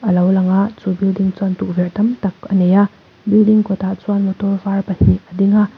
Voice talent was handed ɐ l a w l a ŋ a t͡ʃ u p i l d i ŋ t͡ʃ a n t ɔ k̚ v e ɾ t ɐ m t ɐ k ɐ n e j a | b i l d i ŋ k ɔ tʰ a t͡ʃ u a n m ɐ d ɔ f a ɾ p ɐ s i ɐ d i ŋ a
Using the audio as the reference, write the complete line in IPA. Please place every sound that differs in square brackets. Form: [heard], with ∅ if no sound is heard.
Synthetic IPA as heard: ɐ l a w l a ŋ a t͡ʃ u [b] i l d i ŋ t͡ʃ a n t [u] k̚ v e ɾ t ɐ m t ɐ k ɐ n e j a | b i l d i ŋ k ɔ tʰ a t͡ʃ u a n m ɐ [t] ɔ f a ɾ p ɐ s i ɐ d i ŋ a